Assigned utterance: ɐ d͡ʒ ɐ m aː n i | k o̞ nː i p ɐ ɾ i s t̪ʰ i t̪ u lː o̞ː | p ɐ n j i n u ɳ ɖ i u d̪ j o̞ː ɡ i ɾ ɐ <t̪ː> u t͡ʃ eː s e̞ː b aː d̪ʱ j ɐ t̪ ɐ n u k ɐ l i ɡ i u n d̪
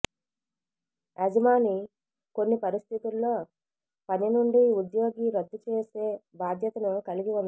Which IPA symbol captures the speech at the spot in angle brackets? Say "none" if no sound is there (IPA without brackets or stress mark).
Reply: d̪ː